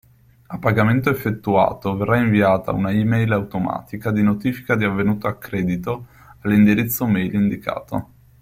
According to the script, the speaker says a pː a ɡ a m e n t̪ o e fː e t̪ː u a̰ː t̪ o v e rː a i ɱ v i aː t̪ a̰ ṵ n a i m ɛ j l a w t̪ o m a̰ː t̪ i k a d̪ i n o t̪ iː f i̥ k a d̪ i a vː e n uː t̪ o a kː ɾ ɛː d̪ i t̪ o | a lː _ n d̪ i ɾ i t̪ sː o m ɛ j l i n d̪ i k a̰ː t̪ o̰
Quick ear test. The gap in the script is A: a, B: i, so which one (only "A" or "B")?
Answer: B